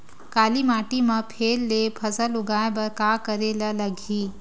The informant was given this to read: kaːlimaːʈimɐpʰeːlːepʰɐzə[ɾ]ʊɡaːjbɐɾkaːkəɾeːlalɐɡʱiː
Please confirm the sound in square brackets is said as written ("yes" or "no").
no